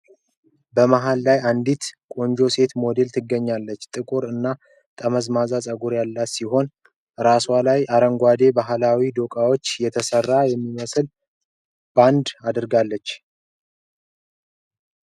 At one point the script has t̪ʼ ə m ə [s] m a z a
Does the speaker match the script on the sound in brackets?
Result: no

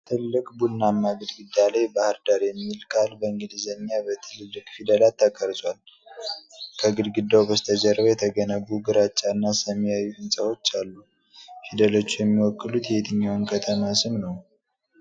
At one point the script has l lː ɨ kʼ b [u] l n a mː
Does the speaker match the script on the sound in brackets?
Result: yes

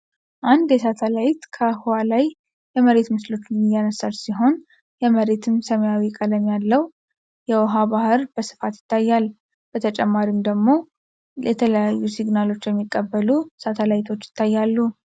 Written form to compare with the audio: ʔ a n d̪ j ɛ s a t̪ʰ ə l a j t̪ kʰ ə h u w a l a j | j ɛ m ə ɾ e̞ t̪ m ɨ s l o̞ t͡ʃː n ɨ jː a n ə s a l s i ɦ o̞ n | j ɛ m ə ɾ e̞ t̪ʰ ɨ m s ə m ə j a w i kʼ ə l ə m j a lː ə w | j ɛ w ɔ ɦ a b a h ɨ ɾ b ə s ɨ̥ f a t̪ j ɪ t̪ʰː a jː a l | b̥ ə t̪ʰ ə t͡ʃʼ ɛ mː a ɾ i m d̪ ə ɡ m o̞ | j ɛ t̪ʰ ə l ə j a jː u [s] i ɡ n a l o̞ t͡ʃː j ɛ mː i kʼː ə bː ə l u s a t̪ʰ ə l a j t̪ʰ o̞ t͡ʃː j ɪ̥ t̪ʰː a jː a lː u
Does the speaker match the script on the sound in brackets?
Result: yes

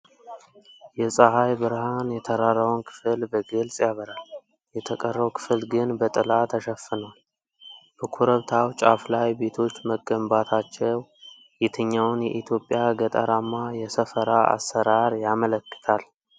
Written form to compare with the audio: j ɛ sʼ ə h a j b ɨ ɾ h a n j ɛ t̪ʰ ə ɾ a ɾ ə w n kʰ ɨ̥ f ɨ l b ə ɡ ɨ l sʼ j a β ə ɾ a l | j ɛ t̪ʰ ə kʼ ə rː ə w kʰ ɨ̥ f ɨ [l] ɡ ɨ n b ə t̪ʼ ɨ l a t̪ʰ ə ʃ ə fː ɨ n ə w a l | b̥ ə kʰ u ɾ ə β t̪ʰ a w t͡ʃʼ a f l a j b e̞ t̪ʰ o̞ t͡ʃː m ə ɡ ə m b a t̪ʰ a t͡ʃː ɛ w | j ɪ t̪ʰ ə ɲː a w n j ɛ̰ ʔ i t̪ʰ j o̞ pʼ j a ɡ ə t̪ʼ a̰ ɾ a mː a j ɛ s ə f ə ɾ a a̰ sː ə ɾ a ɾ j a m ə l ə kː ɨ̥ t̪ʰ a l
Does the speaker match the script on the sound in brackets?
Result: yes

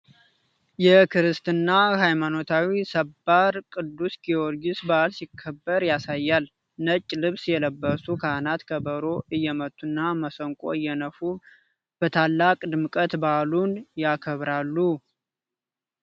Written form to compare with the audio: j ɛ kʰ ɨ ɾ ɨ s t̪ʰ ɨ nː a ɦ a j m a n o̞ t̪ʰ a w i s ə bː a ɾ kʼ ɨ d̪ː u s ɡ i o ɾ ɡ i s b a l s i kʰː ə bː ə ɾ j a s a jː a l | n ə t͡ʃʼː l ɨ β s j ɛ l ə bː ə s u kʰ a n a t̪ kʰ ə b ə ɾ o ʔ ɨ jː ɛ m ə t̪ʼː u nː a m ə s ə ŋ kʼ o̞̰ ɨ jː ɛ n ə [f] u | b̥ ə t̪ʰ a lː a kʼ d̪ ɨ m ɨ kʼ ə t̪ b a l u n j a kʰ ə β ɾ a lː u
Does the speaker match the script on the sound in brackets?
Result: yes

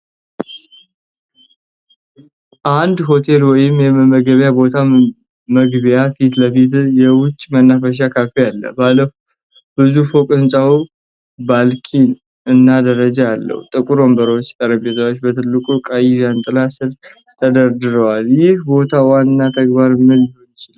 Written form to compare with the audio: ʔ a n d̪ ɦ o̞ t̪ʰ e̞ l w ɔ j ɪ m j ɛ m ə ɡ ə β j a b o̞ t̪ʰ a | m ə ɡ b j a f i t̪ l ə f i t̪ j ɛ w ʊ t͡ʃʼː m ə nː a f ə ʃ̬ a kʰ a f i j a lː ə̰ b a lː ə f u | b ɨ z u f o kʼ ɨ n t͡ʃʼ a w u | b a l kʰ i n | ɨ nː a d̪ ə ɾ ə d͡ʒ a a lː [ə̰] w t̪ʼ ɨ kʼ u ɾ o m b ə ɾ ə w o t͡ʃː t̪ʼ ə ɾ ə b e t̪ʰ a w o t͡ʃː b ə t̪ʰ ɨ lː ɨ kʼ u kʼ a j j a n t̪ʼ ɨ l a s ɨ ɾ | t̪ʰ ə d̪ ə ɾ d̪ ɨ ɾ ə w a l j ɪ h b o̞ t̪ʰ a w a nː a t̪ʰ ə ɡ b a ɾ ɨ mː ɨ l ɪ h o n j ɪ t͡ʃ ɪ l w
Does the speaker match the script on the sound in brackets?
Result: yes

